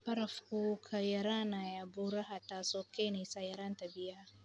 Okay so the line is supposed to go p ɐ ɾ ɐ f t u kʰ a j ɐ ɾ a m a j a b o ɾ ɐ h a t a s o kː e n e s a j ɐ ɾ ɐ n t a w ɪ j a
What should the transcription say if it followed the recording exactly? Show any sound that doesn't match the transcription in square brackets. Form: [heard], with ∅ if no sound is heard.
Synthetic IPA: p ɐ ɾ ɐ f [k] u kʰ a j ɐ ɾ a [n] a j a b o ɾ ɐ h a t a s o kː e n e s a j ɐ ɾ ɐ n t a [b] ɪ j a